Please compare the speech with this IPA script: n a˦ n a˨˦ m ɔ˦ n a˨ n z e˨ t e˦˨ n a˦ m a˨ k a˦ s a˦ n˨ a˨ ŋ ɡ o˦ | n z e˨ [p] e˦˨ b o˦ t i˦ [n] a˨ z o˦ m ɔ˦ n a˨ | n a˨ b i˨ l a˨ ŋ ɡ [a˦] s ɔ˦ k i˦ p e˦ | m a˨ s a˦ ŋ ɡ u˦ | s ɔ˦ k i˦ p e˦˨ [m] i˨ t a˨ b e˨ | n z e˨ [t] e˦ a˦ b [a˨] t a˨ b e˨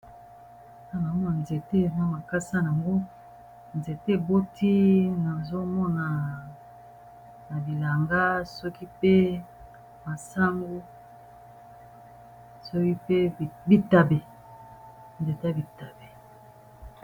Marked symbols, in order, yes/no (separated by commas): no, yes, yes, no, yes, no